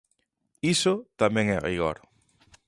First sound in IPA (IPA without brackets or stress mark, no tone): i